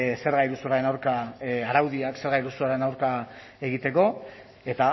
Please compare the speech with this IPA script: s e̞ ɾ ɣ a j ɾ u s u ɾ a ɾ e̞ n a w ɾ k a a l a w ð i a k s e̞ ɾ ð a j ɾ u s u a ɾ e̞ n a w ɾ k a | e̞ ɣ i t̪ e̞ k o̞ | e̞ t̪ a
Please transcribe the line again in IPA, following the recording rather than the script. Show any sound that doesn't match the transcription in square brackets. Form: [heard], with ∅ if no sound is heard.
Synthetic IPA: s e̞ ɾ ɣ a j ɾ u s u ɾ a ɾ e̞ n a w ɾ k a a [ɾ] a w ð i a k s e̞ ɾ [ɣ] a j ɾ u s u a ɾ e̞ n a w ɾ k a | e̞ ɣ i t̪ e̞ k o̞ | e̞ t̪ a